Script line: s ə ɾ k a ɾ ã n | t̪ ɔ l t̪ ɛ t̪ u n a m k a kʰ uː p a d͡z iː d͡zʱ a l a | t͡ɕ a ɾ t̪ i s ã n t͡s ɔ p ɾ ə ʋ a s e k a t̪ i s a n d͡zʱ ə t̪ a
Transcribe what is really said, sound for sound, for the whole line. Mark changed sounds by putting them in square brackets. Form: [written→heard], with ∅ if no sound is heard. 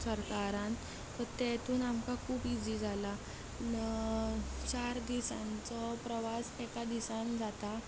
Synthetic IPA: s ə ɾ k a ɾ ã n | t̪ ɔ [l→ɾ] t̪ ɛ t̪ [u→uː] n a m k a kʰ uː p [a→i] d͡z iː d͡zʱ a l a | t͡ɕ a ɾ [t̪→d̪] i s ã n t͡s ɔ p ɾ ə ʋ a s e k a [t̪→d̪] i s a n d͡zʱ [ə→a] t̪ a